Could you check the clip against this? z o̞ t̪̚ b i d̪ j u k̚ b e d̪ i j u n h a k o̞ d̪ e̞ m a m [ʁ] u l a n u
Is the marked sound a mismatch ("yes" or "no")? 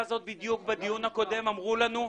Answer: no